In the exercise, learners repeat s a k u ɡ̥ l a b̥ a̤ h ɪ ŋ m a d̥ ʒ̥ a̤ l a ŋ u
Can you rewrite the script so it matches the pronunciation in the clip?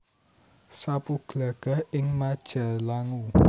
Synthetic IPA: s a p u ɡ̥ l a ɡ̥ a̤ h ɪ ŋ m a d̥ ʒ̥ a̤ l a ŋ u